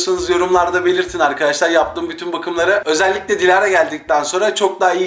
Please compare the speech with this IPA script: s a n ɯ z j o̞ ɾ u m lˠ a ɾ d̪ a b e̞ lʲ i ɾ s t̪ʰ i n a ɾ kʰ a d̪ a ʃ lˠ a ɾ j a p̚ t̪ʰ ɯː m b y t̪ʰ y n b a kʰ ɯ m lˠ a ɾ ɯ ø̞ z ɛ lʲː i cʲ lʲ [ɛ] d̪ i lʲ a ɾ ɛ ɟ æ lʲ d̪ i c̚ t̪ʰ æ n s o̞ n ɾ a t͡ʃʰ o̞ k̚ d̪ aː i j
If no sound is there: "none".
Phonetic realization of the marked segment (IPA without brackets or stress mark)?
ɛ